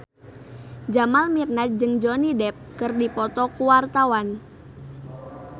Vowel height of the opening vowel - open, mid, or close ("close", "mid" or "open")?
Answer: open